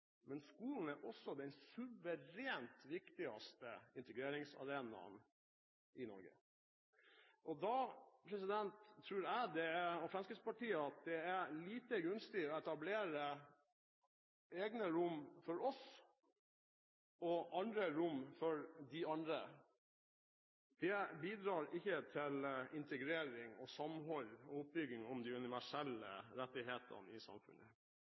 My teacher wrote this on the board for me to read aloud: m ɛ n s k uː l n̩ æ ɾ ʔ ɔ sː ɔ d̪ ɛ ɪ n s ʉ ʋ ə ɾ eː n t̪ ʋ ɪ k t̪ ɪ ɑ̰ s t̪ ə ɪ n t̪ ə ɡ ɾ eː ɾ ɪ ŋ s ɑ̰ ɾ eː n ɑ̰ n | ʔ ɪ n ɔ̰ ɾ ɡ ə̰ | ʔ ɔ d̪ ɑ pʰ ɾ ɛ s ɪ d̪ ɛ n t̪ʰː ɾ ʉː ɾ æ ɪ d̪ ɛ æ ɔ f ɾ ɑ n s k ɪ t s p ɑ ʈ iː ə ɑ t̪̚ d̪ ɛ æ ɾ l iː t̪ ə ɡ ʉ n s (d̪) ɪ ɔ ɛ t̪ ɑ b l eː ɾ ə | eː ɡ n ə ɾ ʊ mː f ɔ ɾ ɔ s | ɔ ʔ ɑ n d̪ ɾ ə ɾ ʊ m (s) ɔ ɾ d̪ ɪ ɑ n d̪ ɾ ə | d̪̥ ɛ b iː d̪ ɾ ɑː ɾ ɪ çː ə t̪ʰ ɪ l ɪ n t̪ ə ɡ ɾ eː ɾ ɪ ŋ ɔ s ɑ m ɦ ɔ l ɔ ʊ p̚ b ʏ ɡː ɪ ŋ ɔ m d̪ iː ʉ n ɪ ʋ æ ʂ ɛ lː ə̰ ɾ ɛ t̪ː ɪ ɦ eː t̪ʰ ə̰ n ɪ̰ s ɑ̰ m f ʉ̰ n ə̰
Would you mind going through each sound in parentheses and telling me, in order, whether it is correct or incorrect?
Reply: incorrect: t̪, incorrect: f

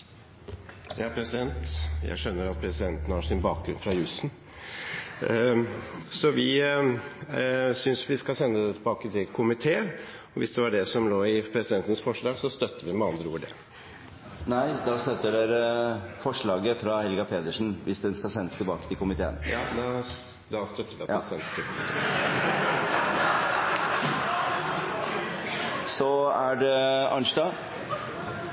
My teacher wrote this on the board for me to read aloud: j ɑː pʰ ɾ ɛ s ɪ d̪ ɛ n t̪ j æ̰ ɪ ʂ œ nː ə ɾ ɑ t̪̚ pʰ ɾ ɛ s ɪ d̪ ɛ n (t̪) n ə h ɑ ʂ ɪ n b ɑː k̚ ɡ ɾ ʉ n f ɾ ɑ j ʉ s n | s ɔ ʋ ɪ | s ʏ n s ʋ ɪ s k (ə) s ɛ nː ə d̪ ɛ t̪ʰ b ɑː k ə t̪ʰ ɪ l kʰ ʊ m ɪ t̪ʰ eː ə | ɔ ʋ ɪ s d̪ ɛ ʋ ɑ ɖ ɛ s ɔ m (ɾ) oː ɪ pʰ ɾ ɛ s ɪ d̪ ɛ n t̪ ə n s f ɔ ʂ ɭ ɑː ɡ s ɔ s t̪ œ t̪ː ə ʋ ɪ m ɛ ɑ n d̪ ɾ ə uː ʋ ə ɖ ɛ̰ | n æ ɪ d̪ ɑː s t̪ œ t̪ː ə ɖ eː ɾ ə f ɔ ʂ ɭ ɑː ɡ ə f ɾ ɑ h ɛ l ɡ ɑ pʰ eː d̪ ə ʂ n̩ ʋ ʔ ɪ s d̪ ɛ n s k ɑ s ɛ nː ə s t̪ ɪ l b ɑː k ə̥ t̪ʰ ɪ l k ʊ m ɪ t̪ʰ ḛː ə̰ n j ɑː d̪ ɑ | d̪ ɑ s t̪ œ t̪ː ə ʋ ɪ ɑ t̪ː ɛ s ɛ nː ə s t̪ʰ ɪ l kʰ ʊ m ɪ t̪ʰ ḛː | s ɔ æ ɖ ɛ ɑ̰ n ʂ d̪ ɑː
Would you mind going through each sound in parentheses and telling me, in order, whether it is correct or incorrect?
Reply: correct, incorrect: ɑ, incorrect: l

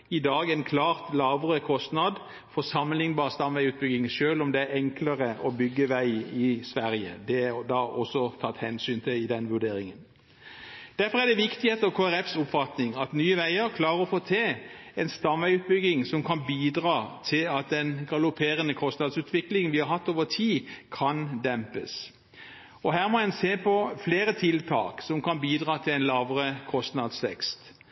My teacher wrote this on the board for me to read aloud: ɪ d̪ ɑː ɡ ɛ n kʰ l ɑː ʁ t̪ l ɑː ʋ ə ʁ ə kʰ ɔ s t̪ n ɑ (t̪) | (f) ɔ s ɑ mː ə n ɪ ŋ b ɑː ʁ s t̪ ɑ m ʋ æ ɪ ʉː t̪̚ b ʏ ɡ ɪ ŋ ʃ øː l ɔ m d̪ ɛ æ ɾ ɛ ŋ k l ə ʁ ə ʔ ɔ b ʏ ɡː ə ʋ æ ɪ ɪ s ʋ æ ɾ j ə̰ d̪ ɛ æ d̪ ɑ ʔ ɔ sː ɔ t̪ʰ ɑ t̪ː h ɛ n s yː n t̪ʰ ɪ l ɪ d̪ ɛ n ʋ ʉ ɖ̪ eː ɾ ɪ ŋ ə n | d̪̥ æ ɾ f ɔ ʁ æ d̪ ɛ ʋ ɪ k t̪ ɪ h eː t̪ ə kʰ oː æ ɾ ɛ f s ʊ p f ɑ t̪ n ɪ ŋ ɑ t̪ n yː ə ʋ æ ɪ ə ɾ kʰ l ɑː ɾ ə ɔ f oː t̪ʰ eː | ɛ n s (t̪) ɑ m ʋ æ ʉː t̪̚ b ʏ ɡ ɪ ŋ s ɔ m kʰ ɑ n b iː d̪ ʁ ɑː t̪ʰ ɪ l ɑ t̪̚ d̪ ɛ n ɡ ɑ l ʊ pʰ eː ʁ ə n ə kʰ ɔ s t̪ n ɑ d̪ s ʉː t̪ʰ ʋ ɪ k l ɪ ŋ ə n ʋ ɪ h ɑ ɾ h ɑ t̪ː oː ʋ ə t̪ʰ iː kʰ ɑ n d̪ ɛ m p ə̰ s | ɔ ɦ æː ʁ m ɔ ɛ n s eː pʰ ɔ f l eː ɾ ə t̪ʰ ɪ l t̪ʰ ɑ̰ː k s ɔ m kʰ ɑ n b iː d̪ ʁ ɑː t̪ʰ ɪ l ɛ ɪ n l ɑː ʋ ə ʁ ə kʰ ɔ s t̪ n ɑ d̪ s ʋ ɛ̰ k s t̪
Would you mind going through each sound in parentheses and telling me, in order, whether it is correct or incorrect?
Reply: incorrect: d̪, correct, correct

